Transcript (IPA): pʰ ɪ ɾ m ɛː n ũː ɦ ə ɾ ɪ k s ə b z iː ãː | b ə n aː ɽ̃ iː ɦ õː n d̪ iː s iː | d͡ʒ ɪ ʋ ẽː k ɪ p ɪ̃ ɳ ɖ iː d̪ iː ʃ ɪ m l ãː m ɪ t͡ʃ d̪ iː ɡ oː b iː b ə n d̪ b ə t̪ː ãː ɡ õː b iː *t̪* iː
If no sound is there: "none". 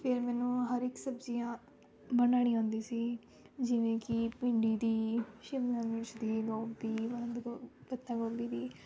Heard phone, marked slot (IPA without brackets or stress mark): d̪